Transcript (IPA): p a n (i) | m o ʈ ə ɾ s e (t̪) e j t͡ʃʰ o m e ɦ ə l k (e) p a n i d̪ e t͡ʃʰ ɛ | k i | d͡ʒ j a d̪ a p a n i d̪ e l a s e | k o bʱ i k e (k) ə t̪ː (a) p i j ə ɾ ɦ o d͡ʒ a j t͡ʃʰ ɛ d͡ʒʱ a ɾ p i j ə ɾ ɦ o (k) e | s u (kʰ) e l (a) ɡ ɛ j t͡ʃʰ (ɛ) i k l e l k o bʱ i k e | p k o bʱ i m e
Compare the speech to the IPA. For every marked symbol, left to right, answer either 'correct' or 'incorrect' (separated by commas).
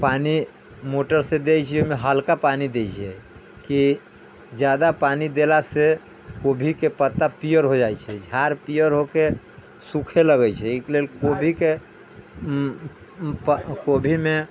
correct, incorrect, incorrect, incorrect, correct, correct, correct, incorrect, correct